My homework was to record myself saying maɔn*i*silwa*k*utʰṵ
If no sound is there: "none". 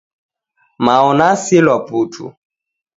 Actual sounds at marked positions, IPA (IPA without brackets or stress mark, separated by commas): a, p